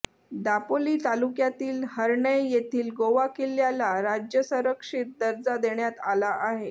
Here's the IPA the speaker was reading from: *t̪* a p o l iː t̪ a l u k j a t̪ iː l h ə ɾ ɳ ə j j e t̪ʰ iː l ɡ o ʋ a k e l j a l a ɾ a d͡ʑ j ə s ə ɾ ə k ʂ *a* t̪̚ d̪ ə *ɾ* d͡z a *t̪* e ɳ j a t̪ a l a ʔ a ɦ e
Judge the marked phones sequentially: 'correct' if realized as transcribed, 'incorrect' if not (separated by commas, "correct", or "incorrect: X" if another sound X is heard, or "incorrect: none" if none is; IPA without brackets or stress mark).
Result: incorrect: d̪, incorrect: i, correct, incorrect: d̪